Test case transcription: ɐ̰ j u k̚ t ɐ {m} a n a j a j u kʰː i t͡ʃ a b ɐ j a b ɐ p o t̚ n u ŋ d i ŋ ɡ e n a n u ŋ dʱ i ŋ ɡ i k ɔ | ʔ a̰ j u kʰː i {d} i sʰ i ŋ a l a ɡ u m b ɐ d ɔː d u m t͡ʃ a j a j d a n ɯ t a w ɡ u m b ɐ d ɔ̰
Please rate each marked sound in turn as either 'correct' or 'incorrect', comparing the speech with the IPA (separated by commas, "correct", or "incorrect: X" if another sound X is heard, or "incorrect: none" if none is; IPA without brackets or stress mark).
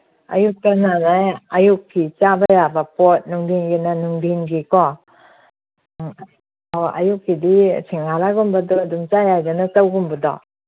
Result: incorrect: n, correct